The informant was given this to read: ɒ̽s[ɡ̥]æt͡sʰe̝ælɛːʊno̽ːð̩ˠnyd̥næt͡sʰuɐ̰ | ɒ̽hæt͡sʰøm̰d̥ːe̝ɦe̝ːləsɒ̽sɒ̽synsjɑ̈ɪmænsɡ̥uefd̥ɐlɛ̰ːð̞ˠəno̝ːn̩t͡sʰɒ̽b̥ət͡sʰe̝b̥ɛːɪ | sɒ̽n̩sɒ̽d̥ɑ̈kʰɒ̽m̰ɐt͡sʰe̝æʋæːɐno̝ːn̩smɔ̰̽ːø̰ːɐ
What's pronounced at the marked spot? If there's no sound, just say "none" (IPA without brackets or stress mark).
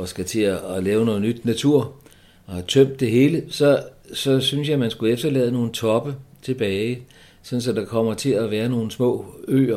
ɡ̥